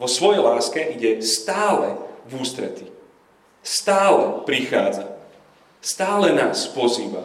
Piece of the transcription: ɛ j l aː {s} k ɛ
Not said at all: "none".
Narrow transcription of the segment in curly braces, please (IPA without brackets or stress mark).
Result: s